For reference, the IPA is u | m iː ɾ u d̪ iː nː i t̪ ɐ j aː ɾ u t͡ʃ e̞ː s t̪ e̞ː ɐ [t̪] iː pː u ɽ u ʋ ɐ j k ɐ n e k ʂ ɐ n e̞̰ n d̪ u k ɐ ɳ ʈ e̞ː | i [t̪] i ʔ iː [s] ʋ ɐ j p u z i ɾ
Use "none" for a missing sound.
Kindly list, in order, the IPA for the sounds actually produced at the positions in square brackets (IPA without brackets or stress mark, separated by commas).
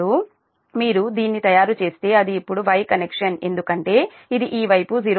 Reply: d̪, d̪, none